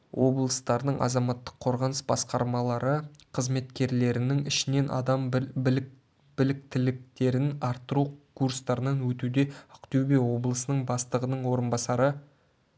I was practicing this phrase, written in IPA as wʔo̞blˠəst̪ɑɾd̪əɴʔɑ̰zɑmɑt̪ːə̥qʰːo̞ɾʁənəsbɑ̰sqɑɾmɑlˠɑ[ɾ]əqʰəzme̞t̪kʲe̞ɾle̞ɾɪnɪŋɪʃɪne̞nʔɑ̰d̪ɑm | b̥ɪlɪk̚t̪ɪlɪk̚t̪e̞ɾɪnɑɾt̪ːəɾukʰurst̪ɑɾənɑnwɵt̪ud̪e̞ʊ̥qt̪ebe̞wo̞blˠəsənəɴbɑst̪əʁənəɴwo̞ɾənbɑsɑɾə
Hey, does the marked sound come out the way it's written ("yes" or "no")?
yes